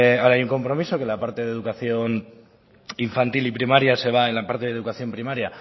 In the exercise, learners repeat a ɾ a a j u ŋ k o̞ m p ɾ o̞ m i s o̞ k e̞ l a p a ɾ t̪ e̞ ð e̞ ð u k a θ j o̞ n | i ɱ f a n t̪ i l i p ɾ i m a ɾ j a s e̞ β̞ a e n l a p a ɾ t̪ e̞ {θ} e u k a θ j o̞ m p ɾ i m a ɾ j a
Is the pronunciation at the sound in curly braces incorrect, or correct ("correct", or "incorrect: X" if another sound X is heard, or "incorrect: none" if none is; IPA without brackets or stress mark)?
incorrect: ð